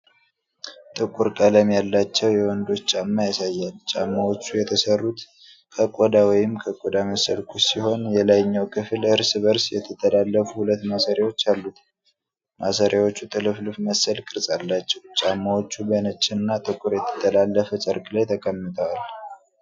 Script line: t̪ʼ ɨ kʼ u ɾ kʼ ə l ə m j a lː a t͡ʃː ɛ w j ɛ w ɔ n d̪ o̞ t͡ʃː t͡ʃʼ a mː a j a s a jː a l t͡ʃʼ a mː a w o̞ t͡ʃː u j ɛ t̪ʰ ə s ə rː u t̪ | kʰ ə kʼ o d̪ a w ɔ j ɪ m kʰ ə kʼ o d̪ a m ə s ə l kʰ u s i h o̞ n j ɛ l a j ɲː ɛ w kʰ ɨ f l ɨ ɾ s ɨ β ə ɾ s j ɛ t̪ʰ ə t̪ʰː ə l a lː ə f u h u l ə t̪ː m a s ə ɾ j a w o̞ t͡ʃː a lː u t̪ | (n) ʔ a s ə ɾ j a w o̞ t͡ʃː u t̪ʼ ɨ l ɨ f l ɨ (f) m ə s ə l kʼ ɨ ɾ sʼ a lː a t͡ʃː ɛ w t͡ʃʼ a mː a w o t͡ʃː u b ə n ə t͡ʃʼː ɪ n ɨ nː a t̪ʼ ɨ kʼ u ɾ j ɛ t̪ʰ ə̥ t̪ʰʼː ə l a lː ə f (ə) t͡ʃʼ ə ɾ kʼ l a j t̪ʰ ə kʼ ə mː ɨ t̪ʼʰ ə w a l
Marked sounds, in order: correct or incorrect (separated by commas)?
incorrect, correct, correct